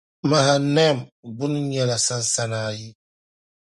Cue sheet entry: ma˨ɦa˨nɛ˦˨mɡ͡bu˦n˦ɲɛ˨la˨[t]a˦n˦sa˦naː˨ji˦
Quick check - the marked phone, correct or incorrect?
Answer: incorrect